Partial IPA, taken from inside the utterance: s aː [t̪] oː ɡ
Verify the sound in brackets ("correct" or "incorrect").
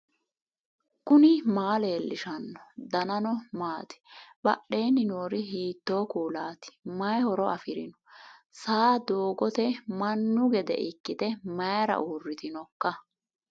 incorrect